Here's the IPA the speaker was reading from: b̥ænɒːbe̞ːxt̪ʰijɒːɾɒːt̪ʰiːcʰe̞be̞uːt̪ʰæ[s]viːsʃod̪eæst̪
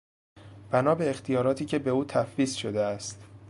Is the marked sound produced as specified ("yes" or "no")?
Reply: no